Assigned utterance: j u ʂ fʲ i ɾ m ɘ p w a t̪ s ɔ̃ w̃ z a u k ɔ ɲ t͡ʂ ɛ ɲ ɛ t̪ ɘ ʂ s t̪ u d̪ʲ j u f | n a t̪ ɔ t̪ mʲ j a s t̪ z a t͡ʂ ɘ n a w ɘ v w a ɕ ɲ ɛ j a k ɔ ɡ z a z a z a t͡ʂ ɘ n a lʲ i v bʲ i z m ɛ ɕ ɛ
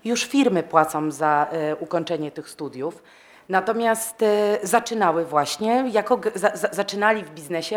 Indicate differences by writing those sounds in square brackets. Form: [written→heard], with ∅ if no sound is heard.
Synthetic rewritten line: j u ʂ fʲ i ɾ m ɘ p w a t̪ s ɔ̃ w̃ z a u k ɔ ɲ t͡ʂ ɛ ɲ ɛ t̪ ɘ [ʂ→x] s t̪ u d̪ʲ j u f | n a t̪ ɔ [t̪→∅] mʲ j a s t̪ z a t͡ʂ ɘ n a w ɘ v w a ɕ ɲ ɛ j a k ɔ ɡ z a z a z a t͡ʂ ɘ n a lʲ i v bʲ i z [m→n] ɛ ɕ ɛ